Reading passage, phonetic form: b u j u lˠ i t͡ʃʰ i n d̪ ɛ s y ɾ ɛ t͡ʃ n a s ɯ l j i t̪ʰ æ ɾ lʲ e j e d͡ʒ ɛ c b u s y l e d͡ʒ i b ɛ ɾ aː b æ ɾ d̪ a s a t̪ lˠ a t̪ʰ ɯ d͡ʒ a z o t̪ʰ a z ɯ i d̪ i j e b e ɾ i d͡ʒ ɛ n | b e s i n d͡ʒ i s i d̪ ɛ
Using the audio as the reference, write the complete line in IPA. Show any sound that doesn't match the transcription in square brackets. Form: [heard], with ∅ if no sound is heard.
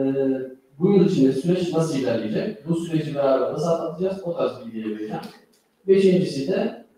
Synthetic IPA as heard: b u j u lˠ i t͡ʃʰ i n d̪ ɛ s y ɾ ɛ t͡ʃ n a s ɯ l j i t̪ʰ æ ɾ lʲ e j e d͡ʒ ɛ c b u s y [ɾ] e d͡ʒ i b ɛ ɾ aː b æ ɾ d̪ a s a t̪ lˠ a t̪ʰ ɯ d͡ʒ a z o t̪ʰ a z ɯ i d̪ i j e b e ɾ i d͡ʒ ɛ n | b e [ʃ] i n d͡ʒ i s i d̪ ɛ